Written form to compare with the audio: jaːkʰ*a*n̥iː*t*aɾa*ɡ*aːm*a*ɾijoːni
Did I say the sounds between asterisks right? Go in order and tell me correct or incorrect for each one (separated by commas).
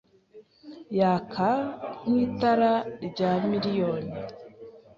correct, correct, incorrect, incorrect